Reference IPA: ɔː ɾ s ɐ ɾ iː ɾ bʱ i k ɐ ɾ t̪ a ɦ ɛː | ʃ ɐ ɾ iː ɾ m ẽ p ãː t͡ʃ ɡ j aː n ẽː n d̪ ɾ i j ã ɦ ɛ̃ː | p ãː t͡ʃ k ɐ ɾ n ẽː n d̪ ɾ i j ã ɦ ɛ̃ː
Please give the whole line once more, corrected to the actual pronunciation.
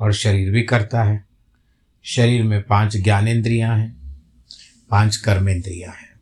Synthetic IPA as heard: ɔː ɾ ʃ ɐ ɾ iː ɾ bʱ i k ɐ ɾ t̪ a ɦ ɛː | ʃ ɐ ɾ iː ɾ m ẽ p ãː t͡ʃ ɡ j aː n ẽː n d̪ ɾ i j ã ɦ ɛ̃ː | p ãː t͡ʃ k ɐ ɾ m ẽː n d̪ ɾ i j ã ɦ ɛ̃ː